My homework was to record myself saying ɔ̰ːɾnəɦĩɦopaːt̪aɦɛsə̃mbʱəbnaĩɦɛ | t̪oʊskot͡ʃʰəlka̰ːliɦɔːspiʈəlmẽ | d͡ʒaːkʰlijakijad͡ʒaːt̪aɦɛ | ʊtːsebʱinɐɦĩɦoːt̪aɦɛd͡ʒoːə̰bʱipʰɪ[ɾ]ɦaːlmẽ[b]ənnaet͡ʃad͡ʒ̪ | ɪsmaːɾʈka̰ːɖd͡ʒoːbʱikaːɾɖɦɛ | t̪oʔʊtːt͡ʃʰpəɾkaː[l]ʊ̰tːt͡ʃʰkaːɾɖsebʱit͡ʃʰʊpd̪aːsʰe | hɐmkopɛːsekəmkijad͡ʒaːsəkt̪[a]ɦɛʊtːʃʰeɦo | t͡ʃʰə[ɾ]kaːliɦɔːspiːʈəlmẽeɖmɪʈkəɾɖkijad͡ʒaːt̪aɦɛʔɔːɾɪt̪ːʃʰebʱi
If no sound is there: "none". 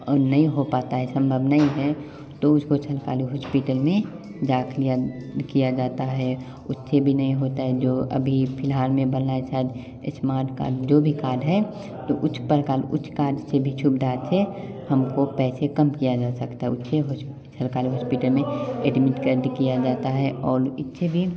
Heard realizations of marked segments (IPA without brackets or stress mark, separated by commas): l, b, l, a, l